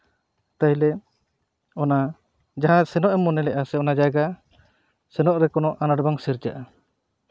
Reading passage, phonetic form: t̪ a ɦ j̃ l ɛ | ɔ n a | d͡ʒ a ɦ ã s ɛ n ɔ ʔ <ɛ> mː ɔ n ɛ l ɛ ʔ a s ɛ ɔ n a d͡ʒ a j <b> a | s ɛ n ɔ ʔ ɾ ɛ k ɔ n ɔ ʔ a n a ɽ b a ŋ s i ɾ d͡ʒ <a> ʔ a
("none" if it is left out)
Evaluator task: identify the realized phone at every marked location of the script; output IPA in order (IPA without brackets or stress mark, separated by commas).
ɛ, ɡ, a